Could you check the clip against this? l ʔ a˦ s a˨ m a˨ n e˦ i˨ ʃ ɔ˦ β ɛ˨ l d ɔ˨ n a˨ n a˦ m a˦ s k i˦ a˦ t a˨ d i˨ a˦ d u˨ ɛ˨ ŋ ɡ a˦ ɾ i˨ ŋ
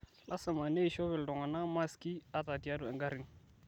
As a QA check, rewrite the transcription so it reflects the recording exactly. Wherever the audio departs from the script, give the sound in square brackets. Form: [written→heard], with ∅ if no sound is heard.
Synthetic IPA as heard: l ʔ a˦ s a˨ m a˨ n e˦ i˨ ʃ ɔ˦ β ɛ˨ l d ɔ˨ [n→ŋ] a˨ n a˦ m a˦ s k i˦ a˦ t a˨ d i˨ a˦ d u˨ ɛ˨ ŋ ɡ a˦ ɾ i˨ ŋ